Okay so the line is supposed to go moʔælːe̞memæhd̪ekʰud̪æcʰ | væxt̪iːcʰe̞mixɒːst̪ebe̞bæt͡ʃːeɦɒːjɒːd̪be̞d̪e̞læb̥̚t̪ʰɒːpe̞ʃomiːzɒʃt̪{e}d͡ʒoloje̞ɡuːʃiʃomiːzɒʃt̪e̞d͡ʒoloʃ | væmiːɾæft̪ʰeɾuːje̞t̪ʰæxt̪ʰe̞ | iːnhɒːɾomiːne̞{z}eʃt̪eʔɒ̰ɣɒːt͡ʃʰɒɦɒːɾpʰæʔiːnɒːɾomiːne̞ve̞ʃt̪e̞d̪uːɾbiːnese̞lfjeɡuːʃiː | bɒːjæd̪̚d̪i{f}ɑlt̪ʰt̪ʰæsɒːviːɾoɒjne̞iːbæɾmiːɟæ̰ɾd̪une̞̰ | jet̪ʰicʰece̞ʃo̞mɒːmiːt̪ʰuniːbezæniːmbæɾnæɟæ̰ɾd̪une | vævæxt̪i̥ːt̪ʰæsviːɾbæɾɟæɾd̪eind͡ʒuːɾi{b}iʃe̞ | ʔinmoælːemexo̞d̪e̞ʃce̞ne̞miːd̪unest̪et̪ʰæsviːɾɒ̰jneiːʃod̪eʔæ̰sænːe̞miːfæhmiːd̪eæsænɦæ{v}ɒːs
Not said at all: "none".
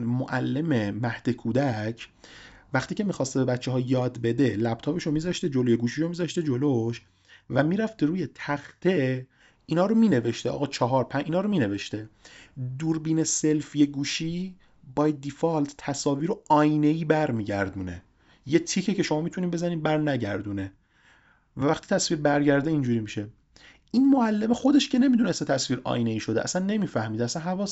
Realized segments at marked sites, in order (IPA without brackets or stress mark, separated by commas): e, v, f, m, v